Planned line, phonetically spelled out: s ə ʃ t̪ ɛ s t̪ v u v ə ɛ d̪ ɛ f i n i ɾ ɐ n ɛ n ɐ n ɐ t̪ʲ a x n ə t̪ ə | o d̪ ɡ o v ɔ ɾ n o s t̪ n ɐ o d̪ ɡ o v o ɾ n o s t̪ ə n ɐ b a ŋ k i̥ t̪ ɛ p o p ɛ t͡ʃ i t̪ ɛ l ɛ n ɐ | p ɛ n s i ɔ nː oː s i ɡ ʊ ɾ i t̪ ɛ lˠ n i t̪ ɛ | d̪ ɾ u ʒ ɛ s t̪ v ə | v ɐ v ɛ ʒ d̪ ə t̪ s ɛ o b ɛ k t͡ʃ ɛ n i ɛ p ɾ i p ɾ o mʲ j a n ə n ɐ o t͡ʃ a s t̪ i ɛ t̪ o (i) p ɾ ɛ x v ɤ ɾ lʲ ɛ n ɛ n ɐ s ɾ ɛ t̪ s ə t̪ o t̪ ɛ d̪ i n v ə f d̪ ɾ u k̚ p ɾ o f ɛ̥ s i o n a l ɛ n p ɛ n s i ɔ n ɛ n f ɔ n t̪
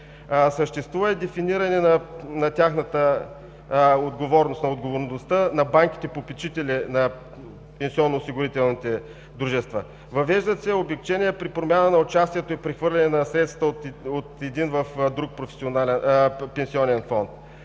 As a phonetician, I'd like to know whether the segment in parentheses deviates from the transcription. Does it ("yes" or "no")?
no